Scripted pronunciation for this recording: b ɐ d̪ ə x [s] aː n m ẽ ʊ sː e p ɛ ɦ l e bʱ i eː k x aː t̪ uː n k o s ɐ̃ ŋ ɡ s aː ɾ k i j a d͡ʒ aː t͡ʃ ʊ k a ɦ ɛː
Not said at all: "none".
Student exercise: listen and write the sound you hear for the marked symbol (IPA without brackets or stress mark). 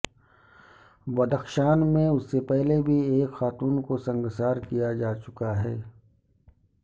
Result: ʃ